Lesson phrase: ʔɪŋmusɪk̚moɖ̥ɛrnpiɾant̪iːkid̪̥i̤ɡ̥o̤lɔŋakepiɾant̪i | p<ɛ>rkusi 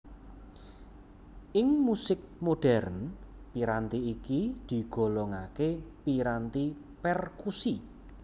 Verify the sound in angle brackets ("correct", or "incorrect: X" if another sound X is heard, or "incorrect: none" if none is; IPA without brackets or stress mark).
correct